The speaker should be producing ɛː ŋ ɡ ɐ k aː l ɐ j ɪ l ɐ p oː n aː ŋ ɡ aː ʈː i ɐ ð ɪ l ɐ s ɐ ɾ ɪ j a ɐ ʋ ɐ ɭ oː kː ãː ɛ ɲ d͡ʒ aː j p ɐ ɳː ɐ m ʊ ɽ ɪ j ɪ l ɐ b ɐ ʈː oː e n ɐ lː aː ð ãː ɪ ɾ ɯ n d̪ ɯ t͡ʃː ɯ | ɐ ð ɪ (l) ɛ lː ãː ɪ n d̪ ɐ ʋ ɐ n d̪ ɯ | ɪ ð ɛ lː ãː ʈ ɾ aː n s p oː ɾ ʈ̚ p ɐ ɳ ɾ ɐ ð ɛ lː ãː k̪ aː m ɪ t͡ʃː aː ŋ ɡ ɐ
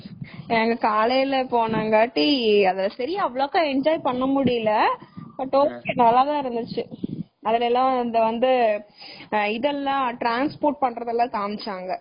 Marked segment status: correct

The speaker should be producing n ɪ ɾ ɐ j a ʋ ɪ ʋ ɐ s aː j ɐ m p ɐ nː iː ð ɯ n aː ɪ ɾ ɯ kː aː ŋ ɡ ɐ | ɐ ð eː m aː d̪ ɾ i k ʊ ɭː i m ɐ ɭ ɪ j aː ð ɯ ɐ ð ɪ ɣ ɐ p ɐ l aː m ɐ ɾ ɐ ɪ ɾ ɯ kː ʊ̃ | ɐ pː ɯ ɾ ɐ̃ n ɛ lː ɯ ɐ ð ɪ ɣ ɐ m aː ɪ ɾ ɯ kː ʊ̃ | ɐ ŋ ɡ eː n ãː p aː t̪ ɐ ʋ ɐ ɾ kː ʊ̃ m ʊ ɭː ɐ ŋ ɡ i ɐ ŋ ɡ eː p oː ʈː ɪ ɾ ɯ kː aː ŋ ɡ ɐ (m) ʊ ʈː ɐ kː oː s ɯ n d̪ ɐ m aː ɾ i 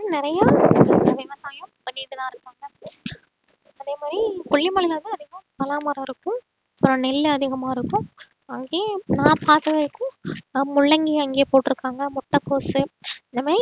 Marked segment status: correct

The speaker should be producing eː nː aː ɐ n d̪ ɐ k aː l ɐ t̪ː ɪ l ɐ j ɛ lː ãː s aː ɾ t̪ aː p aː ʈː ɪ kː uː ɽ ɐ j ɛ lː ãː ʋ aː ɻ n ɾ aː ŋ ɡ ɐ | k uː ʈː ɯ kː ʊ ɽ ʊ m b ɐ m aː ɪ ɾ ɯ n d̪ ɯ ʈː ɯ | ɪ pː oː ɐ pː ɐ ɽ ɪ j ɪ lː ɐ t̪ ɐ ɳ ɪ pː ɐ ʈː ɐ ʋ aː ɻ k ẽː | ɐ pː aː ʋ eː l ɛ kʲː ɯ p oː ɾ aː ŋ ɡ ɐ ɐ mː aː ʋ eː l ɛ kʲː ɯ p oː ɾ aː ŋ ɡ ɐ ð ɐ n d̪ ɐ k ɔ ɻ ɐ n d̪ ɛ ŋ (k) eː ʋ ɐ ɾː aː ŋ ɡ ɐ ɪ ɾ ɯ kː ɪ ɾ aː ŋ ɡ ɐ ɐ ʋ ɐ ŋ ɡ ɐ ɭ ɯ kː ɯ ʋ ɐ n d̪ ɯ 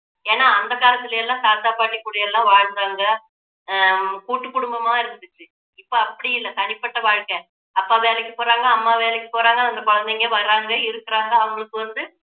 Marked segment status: incorrect: ɡ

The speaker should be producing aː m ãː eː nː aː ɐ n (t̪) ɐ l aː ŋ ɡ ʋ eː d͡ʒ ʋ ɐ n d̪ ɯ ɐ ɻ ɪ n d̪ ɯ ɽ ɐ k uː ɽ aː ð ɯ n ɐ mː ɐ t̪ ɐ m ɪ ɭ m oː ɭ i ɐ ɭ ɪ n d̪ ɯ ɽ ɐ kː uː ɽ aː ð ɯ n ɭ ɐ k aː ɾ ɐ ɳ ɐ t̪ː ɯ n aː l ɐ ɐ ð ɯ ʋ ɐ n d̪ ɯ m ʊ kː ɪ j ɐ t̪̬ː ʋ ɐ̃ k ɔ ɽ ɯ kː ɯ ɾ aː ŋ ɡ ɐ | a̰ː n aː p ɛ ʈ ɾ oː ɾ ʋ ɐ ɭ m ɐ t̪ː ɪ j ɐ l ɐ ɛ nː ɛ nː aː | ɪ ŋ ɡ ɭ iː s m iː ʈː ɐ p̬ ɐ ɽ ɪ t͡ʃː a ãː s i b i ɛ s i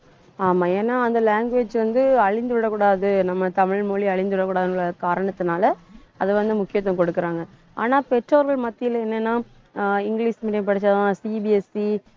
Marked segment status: incorrect: d̪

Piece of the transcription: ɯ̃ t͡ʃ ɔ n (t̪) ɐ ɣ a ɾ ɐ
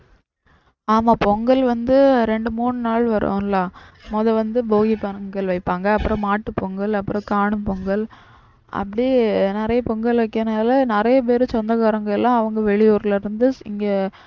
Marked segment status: incorrect: d̪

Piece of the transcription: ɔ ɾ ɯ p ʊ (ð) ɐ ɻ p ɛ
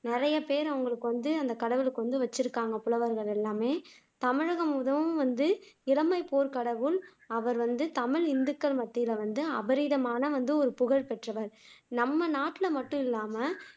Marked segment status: incorrect: ɣ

